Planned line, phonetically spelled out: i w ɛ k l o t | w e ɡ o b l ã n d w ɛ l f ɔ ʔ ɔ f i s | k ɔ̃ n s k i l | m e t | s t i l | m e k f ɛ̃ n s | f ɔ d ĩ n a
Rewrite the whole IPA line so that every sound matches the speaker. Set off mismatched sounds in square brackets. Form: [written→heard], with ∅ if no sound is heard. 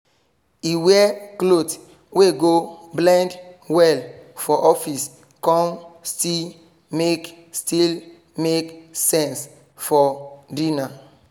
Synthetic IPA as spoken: i w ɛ k l o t | w e ɡ o b l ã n d w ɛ l f ɔ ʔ ɔ f i s | k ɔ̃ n s [k→t] i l | m e [t→k] | s t i l | m e k [f→s] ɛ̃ n s | f ɔ d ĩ n a